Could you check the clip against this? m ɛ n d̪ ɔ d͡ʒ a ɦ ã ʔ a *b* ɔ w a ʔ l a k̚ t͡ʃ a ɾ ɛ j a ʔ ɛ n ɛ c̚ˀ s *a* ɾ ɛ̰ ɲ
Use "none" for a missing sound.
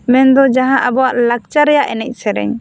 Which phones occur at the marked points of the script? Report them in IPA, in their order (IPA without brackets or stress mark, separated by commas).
b, ɛ